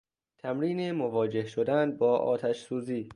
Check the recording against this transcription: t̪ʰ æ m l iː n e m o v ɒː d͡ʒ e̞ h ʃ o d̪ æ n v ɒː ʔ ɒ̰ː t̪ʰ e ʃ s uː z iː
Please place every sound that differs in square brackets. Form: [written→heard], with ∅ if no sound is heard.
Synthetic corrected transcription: t̪ʰ æ m [l→ɾ] iː n e m o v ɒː d͡ʒ e̞ h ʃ o d̪ æ n [v→b] ɒː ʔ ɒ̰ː t̪ʰ [e→æ] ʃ s uː z iː